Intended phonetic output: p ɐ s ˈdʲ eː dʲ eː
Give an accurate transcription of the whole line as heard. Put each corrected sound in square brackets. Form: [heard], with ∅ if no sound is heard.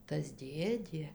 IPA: [t] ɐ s ˈdʲ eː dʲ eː

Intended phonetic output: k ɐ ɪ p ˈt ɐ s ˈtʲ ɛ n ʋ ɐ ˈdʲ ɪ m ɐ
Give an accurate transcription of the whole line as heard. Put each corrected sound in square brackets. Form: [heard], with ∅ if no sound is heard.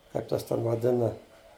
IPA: k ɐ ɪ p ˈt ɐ s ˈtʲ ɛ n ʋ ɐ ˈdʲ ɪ [n] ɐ

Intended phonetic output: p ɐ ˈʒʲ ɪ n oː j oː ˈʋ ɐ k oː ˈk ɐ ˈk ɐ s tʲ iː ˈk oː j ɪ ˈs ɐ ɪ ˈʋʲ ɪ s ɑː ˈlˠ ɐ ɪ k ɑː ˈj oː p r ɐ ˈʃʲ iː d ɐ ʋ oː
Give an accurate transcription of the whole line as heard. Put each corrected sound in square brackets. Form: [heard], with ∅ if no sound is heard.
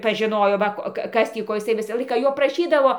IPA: p ɐ ˈʒʲ ɪ n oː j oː ˈʋ ɐ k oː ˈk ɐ ˈk ɐ s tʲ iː ˈk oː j ɪ ˈs ɐ ɪ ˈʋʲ ɪ s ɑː ˈlˠ ɐ ɪ k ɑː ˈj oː p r ɐ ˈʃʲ iː d ɐ ʋ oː

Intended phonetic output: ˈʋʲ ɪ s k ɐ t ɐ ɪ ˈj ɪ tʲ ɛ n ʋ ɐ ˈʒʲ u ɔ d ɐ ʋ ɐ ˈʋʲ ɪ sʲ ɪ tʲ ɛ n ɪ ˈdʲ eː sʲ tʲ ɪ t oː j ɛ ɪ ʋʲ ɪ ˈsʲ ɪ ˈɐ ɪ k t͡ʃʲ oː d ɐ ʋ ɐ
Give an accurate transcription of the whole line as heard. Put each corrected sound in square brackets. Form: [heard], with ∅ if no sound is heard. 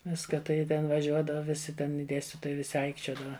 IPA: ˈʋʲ ɪ s k ɐ t ɐ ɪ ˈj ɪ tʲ ɛ n ʋ ɐ ˈʒʲ u ɔ d ɐ ʋ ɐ ˈʋʲ ɪ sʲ ɪ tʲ ɛ n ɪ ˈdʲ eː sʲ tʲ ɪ t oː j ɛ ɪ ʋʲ ɪ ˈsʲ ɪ ˈɐ ɪ k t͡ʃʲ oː d ɐ ʋ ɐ

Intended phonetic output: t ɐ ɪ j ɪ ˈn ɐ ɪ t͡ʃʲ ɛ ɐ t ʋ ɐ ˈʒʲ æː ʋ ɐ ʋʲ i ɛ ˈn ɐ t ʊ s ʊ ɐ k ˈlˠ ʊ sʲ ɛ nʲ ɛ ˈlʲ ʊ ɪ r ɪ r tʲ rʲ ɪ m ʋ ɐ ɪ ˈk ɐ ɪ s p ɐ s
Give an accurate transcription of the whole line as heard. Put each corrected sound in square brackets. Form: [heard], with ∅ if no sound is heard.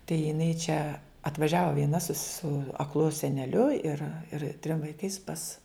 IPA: t ɐ ɪ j ɪ ˈn ɐ ɪ t͡ʃʲ ɛ ɐ t ʋ ɐ ˈʒʲ æː ʋ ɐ ʋʲ i ɛ ˈn ɐ [s] ʊ s ʊ ɐ k ˈlˠ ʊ sʲ ɛ nʲ ɛ ˈlʲ ʊ ɪ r ɪ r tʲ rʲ ɪ m ʋ ɐ ɪ ˈk ɐ ɪ s p ɐ s

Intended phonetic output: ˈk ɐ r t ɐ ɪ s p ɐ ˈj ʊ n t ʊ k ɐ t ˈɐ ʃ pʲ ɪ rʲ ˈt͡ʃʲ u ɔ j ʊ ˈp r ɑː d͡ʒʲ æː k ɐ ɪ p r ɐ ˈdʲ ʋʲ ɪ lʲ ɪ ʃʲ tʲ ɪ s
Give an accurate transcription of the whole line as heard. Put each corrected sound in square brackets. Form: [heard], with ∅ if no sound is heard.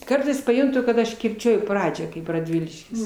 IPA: ˈk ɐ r t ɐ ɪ s p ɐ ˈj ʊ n t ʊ k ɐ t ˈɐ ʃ [kʲ] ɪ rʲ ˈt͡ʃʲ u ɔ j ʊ ˈp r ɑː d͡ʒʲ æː k ɐ ɪ p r ɐ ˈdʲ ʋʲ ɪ lʲ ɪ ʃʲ [kʲ] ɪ s

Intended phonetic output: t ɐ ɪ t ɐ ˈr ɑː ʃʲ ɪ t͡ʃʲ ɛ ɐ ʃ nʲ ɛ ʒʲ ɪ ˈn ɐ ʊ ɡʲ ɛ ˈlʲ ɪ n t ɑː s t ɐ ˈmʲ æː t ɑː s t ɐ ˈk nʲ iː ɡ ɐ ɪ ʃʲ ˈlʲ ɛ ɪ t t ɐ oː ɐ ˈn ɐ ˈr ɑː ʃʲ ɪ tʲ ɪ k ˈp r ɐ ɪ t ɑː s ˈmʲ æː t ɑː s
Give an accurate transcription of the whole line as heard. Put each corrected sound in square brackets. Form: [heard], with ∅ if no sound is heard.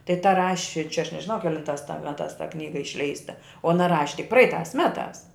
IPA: t ɐ ɪ t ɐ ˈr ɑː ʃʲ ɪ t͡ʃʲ ɛ ɐ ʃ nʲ ɛ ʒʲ ɪ ˈn ɐ ʊ [kʲ] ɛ ˈlʲ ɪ n t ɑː s t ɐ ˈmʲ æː t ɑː s t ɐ ˈk nʲ iː ɡ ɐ ɪ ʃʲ ˈlʲ ɛ ɪ [s] t ɐ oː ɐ ˈn ɐ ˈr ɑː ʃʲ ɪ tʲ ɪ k ˈp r ɐ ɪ t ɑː s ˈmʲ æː t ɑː s

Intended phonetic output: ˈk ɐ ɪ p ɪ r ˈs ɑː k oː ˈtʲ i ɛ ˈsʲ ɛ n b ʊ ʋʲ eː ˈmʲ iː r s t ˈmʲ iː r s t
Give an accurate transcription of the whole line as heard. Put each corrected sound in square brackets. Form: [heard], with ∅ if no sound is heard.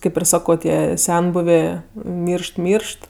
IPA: ˈk ɐ ɪ p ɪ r ˈs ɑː k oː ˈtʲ i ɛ ˈsʲ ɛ n b ʊ ʋʲ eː ˈmʲ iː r [ʃ] t ˈmʲ iː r [ʃ] t

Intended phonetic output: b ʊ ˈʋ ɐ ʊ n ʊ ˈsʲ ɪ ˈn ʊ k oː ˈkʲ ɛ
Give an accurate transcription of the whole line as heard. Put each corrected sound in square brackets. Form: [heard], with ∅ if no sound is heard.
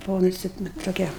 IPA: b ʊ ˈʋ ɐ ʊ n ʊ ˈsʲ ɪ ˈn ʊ [t] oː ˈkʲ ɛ

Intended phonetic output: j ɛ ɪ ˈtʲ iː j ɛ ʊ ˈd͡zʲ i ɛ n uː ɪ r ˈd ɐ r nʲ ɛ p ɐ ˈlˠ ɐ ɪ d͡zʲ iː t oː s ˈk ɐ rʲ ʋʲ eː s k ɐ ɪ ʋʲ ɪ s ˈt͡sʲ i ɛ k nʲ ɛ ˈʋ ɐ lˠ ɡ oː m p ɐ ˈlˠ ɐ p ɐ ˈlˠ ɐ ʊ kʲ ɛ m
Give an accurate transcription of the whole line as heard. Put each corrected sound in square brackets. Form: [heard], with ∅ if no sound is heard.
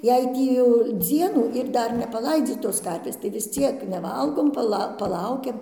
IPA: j ɛ ɪ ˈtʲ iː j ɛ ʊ ˈd͡zʲ i ɛ n uː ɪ r ˈd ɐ r nʲ ɛ p ɐ ˈlˠ ɐ ɪ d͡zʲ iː t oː s ˈk ɐ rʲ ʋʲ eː s [t] ɐ ɪ ʋʲ ɪ s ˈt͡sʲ i ɛ k nʲ ɛ ˈʋ ɐ lˠ ɡ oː m p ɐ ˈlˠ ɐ p ɐ ˈlˠ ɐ ʊ kʲ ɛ m

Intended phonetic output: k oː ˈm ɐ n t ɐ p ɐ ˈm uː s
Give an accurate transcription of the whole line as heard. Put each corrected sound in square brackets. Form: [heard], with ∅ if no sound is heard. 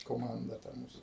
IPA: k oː ˈm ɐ n [d] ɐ [t] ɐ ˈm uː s

